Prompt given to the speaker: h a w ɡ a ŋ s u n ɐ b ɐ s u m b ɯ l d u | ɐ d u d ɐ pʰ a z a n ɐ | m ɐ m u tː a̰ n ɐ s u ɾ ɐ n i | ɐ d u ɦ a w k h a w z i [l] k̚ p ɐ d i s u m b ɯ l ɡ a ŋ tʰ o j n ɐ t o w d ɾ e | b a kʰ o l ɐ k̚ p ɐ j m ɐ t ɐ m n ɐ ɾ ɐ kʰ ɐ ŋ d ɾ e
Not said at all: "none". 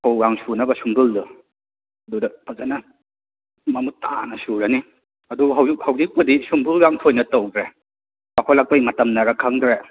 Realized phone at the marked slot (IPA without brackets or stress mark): none